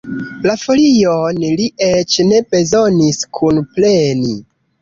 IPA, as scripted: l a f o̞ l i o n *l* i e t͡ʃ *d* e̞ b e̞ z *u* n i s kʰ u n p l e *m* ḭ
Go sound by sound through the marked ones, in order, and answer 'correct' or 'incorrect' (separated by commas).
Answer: correct, incorrect, incorrect, incorrect